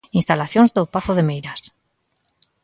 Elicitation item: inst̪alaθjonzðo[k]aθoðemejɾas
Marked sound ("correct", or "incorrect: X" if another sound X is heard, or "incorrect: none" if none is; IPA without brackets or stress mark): incorrect: p